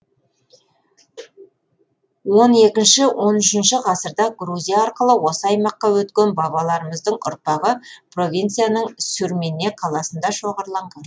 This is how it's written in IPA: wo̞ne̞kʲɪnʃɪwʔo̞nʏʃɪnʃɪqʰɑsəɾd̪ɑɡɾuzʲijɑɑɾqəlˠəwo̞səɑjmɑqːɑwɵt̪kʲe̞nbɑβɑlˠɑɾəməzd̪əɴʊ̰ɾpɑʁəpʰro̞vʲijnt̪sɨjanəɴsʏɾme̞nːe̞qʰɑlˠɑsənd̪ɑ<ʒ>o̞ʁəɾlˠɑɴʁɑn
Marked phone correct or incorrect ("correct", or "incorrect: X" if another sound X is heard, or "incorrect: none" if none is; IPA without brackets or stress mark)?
incorrect: ʃ